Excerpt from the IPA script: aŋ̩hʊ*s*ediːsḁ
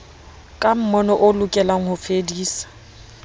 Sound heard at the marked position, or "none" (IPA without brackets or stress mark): f